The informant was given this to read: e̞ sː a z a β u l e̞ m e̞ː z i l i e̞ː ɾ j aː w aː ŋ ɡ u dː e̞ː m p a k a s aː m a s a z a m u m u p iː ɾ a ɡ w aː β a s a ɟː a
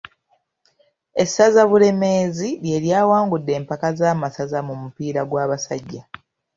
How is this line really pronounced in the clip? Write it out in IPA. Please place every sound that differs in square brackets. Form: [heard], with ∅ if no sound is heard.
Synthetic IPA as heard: e̞ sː a z a β u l e̞ m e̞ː z i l [j] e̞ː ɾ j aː w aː ŋ ɡ u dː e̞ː m p a k a [z] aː m a s a z a m u m u p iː ɾ a ɡ w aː β a s a ɟː a